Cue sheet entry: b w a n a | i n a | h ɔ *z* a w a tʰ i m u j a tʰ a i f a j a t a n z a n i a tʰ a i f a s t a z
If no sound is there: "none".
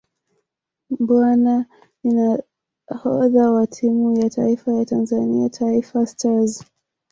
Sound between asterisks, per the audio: ð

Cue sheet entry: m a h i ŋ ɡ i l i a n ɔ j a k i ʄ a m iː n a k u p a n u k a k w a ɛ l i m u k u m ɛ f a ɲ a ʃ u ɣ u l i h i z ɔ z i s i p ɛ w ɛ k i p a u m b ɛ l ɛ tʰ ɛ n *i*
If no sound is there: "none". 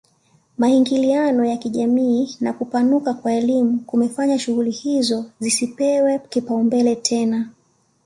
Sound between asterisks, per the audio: a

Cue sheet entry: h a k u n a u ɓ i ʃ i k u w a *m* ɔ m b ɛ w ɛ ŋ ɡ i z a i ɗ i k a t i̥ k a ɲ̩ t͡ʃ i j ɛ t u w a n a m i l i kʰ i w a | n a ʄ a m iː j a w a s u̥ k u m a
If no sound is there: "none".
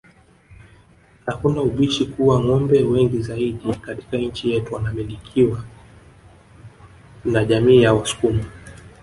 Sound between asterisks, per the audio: ŋ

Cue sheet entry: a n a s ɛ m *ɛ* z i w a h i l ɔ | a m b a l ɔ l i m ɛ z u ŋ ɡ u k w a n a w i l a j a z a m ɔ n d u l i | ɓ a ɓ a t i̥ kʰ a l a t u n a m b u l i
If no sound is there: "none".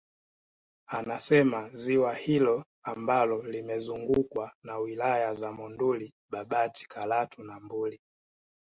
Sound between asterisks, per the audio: a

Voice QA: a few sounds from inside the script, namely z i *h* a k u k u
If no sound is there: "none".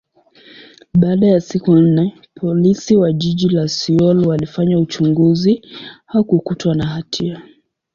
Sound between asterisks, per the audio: h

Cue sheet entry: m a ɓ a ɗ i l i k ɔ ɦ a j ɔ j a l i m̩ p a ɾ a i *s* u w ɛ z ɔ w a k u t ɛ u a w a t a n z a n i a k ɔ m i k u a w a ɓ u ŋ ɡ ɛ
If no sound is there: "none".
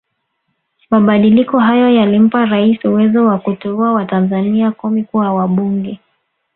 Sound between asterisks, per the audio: s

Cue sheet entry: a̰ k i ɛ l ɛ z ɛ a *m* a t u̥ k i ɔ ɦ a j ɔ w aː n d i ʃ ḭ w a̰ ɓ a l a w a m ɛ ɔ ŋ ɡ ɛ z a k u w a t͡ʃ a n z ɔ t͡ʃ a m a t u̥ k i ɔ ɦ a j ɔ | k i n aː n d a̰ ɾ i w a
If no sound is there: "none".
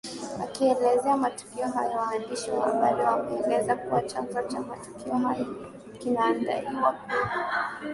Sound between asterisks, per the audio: m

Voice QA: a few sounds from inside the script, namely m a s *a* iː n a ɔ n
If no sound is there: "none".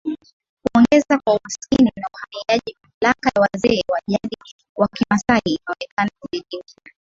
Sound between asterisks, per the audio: a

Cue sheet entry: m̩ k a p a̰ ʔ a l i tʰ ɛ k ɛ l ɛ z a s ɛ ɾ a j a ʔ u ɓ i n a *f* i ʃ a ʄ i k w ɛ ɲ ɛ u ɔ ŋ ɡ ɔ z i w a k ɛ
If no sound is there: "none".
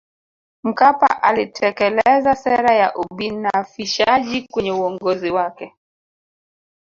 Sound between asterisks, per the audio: f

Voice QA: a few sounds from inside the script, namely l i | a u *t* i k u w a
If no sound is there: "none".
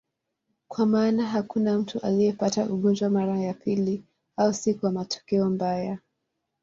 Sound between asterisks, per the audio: s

